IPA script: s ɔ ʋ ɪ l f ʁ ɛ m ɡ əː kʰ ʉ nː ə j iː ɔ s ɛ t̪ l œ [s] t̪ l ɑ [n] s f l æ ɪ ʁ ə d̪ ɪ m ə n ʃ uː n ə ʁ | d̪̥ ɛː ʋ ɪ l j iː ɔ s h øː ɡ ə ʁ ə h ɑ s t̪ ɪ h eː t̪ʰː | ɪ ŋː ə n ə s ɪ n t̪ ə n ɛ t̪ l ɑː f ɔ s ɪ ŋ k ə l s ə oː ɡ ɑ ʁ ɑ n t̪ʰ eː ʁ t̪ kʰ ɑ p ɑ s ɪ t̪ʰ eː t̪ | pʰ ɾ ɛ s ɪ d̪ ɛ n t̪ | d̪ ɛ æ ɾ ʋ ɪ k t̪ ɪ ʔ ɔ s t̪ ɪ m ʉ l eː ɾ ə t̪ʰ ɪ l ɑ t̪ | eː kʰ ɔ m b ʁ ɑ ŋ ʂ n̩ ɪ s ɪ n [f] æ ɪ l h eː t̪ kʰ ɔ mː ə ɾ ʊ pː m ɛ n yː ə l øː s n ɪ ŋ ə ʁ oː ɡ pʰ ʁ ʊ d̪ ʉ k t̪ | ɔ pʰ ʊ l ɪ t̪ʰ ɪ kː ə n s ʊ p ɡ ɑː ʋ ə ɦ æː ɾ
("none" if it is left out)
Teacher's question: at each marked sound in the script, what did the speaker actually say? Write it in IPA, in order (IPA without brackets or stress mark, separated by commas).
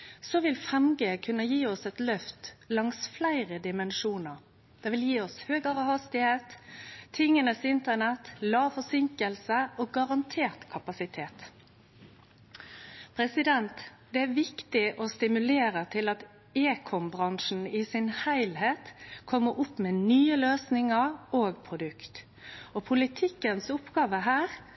f, ŋ, h